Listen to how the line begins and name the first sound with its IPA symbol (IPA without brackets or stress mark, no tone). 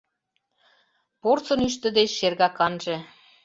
p